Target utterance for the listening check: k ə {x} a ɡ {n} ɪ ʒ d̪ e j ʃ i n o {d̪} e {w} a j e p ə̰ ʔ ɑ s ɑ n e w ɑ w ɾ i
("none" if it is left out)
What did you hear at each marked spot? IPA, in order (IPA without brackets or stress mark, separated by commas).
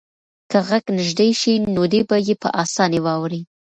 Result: ɣ, n, d̪, b